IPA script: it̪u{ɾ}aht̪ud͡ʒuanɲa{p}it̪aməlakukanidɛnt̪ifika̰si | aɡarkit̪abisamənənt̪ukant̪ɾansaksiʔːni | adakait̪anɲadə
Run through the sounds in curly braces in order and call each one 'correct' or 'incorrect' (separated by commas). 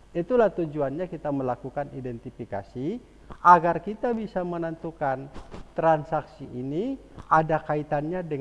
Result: incorrect, incorrect